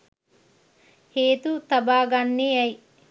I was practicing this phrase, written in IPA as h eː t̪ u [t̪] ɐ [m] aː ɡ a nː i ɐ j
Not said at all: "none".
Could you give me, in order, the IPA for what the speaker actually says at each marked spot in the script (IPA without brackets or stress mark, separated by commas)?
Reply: t̪, b